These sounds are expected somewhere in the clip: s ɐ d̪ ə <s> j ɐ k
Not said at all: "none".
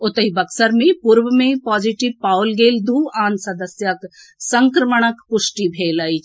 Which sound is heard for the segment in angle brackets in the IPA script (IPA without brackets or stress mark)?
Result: s